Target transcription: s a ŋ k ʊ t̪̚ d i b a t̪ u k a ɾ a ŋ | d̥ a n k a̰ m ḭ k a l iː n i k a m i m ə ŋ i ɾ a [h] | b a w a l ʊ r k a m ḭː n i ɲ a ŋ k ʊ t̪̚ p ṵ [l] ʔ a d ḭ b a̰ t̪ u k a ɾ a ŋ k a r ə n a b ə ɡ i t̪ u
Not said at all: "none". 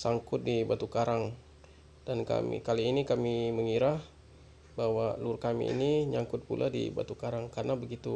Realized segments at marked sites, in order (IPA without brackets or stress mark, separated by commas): h, l